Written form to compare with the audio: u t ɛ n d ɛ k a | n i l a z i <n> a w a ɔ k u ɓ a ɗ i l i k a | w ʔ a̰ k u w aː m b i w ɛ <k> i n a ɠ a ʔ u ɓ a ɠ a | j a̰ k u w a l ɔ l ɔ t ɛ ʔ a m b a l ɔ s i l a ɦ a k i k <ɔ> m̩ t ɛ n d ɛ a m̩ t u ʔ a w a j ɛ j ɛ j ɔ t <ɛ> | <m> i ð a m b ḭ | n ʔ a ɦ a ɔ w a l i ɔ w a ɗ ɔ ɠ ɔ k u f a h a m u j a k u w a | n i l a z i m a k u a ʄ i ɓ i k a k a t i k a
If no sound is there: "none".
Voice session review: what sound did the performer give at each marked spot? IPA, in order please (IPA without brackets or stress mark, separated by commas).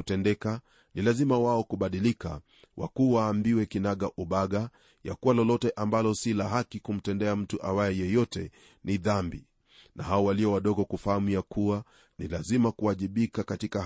m, k, u, ɛ, n